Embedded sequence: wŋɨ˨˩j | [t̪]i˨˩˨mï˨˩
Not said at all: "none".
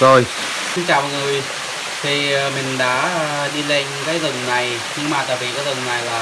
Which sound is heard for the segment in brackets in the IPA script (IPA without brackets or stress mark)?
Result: t̪ʰ